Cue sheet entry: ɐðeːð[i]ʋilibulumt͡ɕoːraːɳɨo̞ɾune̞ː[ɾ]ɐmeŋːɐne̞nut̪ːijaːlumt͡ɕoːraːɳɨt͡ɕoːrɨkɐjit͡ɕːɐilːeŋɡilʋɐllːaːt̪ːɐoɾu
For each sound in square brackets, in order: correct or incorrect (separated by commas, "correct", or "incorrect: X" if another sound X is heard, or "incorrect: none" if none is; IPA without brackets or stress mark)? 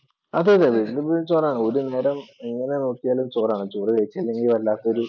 incorrect: e, correct